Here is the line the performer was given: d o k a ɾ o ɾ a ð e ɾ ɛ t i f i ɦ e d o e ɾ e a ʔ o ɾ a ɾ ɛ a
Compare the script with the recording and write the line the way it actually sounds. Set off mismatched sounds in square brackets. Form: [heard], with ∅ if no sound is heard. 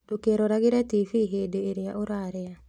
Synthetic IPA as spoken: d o k [e] ɾ o ɾ a [ɣ] e ɾ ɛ t i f i ɦ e d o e ɾ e a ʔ o ɾ a ɾ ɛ a